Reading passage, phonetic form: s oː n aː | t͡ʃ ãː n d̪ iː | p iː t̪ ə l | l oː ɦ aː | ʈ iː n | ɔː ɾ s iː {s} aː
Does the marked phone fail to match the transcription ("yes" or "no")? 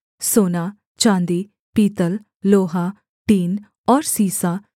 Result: no